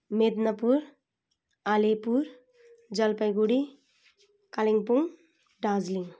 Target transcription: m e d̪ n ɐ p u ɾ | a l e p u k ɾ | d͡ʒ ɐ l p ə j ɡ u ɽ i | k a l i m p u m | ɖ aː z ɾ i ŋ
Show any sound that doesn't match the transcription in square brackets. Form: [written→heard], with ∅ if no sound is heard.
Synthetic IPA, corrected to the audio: m e d̪ n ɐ p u ɾ | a l e p u [k→∅] ɾ | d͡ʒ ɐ l p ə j ɡ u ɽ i | k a l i [m→ŋ] p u [m→ŋ] | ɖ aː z [ɾ→l] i ŋ

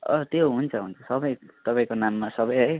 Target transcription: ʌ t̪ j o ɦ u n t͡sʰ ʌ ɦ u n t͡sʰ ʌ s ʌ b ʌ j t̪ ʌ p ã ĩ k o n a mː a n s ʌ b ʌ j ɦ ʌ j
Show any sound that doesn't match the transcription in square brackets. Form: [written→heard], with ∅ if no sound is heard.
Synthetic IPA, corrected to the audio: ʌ t̪ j o ɦ u n t͡sʰ ʌ ɦ u n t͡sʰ ʌ s ʌ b ʌ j t̪ ʌ p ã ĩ k o n a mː a [n→∅] s ʌ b ʌ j ɦ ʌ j

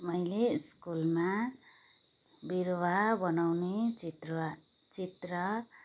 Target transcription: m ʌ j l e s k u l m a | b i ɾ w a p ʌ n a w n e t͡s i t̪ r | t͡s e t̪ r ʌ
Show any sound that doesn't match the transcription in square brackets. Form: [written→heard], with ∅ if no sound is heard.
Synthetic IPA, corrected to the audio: m ʌ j l e s k u l m a | b i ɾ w a [p→b] ʌ n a w n e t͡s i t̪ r | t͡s [e→i] t̪ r ʌ

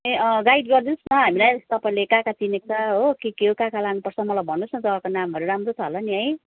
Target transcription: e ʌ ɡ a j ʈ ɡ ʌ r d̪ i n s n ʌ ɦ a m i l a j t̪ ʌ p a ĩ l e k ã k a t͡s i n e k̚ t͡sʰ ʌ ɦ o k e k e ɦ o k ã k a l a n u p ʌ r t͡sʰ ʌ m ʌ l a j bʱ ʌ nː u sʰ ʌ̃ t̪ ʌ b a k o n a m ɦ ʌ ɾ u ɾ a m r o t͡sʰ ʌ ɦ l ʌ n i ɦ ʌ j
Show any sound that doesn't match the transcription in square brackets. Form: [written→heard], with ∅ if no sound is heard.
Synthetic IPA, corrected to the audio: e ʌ ɡ a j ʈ ɡ ʌ r d̪ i n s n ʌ ɦ a m i l a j t̪ ʌ p a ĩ l e k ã k a t͡s i n e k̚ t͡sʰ ʌ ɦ o k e k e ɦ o k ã k a l a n u p ʌ r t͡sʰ ʌ m ʌ l a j bʱ ʌ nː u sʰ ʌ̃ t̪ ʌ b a k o n a m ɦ ʌ ɾ u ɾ a m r o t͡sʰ ʌ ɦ l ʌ n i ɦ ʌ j

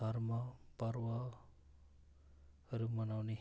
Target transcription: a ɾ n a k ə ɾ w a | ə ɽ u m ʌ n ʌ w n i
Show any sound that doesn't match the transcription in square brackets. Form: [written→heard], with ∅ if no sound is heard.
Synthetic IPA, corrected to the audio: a ɾ [n→m] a [k→p] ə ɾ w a | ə [ɽ→ɾ] u m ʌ n [ʌ→a] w n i

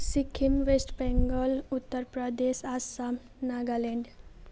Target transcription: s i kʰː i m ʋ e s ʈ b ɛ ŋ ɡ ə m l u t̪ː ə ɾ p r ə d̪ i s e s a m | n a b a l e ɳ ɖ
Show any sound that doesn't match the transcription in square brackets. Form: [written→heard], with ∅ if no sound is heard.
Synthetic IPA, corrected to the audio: s i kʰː i m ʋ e s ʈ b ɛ ŋ ɡ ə [m→∅] l u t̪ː ə ɾ p [r→ɾ] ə d̪ [i→e] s [e→a] s a m | n a [b→ɡ] a l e ɳ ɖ

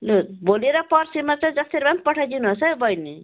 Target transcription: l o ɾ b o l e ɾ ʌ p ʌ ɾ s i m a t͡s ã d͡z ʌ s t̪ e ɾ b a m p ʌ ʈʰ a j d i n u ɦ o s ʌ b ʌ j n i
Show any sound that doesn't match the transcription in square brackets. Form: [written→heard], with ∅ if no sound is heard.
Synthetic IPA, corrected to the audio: l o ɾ b o l e ɾ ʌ p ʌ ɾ s i m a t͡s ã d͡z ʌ s t̪ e ɾ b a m p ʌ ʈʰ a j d i n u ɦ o s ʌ b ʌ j n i

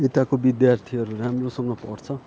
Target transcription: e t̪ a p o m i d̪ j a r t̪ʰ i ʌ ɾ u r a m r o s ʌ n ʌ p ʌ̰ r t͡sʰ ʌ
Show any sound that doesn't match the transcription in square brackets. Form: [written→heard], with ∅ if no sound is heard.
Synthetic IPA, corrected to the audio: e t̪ a [p→k] o [m→b] i d̪ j a r t̪ʰ i ʌ ɾ u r a m r o s ʌ [n→ŋ] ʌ p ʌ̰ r t͡sʰ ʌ

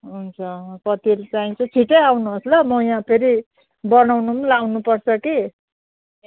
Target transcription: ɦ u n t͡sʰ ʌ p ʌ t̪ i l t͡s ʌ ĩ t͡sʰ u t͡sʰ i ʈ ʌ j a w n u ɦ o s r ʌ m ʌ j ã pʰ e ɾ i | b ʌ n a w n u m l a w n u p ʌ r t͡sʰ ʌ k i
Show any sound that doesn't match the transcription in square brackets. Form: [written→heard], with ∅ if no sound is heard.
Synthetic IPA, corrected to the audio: ɦ u n t͡sʰ ʌ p ʌ t̪ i l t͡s [ʌ→a] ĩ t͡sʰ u t͡sʰ i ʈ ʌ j a w n u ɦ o s [r→l] ʌ m ʌ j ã pʰ e ɾ i | b ʌ n a w n u m l a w n u p ʌ r t͡sʰ ʌ k i

